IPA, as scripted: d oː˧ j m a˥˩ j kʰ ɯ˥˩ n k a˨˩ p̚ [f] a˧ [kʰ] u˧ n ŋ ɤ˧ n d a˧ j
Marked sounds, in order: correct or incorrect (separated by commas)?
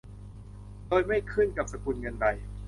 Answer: incorrect, incorrect